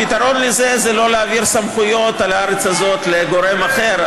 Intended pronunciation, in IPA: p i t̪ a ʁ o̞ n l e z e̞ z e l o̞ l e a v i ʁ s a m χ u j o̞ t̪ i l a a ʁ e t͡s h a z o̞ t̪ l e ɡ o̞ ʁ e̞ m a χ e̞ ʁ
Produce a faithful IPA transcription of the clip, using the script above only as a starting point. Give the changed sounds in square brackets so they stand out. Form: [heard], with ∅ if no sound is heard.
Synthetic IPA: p i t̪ a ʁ o̞ n l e z e̞ z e l o̞ l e a v i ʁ s a m χ u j o̞ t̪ [a] l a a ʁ e t͡s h a z o̞ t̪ l e ɡ o̞ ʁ e̞ m a χ e̞ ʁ